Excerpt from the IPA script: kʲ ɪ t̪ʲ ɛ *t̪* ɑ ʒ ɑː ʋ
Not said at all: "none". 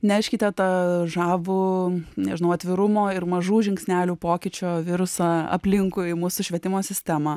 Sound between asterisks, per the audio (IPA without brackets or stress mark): t̪